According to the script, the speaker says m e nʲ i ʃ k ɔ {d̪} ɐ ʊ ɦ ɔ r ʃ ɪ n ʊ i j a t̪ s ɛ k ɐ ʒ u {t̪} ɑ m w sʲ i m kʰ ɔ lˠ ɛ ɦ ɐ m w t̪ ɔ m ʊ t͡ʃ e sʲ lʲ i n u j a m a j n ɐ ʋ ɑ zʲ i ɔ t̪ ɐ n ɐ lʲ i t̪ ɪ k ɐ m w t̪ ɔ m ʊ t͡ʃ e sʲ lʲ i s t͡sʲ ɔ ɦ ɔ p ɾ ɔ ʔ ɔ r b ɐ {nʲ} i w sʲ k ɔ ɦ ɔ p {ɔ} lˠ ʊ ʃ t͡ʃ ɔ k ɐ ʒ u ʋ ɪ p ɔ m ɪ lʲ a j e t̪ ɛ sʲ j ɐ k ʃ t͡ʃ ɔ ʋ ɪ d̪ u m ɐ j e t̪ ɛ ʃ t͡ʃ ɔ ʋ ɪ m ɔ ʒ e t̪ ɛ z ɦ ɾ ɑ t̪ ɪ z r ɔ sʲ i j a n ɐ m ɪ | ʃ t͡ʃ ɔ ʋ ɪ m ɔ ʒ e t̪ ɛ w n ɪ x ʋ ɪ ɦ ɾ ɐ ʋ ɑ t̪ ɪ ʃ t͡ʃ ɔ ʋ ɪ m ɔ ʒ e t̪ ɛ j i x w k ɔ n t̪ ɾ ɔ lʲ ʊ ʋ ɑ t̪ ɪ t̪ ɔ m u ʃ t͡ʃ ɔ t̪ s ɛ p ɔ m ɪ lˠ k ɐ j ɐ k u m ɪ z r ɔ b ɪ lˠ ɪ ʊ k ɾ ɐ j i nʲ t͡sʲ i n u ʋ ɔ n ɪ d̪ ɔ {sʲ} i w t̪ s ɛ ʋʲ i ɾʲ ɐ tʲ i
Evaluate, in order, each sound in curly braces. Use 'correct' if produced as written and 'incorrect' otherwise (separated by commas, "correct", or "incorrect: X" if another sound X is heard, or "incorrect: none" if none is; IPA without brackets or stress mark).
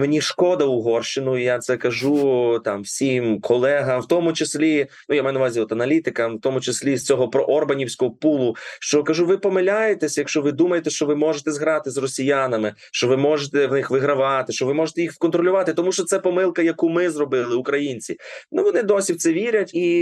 correct, correct, correct, incorrect: u, correct